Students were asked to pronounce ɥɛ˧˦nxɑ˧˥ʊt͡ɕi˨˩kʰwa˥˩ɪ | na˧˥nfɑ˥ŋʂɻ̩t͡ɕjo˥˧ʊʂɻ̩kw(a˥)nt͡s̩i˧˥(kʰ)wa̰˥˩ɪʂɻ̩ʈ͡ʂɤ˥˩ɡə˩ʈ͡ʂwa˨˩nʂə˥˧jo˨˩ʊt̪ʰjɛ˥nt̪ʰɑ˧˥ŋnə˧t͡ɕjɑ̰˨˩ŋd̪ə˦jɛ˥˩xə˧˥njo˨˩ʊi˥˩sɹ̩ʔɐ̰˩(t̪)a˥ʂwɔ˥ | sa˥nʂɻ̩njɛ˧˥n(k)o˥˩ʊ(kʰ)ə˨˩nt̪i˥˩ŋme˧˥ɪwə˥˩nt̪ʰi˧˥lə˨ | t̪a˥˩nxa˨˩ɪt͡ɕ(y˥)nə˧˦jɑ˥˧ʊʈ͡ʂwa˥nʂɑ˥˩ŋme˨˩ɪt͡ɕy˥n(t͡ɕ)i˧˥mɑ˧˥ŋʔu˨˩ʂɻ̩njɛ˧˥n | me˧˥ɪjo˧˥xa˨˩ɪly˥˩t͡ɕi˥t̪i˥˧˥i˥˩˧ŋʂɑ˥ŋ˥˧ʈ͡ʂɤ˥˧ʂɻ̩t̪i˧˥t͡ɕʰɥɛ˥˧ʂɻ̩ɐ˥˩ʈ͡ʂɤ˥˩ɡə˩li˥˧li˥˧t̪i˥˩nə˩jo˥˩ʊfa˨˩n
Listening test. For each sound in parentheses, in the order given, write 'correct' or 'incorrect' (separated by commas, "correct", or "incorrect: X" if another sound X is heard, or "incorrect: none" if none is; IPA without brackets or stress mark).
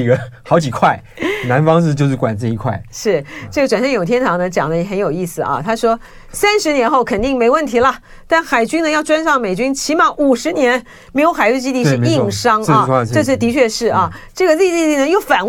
incorrect: a˨˩, correct, incorrect: t̪ʰ, incorrect: x, correct, correct, incorrect: t͡ɕʰ